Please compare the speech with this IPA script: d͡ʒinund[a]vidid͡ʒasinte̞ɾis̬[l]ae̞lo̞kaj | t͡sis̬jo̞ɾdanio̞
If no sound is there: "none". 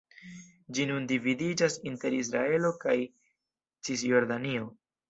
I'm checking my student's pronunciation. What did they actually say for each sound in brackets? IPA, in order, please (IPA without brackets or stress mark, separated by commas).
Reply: i, ɾ